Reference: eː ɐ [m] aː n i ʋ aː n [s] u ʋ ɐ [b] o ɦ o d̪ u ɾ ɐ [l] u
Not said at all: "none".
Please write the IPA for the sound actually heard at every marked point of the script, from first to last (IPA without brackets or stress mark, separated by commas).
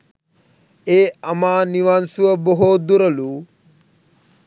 m, s, b, l